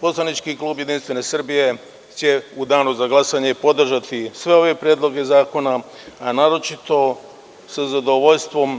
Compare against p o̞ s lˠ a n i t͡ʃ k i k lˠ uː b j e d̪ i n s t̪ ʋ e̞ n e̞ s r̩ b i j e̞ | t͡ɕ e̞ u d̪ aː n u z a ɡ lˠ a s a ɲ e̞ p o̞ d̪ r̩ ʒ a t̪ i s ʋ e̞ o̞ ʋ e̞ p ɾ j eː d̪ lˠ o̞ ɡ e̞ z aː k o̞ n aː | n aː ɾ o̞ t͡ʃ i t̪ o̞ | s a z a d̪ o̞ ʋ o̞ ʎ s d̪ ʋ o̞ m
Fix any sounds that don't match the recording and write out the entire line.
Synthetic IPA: p o̞ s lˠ a n i t͡ʃ k i k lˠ uː b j e d̪ i n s t̪ ʋ e̞ n e̞ s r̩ b i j e̞ | t͡ɕ e̞ u d̪ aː n u z a ɡ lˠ a s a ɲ e̞ p o̞ d̪ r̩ ʒ a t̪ i s ʋ e̞ o̞ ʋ e̞ p ɾ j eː d̪ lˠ o̞ ɡ e̞ z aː k o̞ n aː | n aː ɾ o̞ t͡ʃ i t̪ o̞ | s a z a d̪ o̞ ʋ o̞ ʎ s t̪ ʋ o̞ m